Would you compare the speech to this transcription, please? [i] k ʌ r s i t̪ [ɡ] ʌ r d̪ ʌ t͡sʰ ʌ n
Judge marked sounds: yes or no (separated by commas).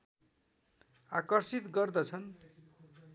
no, yes